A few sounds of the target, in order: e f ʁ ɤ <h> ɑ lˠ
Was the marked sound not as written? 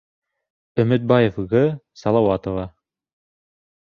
yes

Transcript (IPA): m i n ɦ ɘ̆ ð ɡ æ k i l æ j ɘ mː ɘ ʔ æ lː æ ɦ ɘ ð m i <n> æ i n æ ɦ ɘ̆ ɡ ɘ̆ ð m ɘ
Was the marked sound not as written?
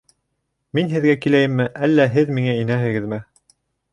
yes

